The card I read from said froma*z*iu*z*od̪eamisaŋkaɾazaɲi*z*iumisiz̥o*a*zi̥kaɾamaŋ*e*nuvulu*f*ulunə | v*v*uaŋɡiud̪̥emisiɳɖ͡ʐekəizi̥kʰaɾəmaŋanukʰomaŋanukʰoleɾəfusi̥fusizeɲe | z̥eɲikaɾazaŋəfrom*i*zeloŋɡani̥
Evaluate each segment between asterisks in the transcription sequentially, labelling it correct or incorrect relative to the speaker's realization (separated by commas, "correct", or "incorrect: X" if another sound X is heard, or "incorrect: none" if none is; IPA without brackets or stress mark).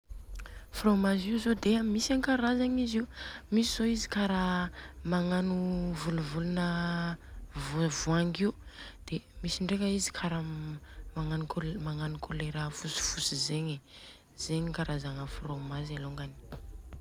correct, correct, correct, incorrect: i, incorrect: a, incorrect: v, correct, incorrect: a